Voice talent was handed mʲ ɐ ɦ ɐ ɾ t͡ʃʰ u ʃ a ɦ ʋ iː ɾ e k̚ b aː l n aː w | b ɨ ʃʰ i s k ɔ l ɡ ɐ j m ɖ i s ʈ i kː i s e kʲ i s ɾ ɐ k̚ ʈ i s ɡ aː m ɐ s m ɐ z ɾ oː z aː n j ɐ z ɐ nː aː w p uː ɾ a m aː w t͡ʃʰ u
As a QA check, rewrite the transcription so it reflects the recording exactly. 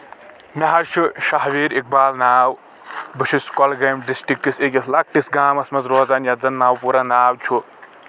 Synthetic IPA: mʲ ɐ ɦ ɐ ɾ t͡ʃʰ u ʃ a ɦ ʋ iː ɾ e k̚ b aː l n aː w | b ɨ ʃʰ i s k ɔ l ɡ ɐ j m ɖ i s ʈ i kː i s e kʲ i s l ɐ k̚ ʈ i s ɡ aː m ɐ s m ɐ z ɾ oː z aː n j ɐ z ɐ nː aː w p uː ɾ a n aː w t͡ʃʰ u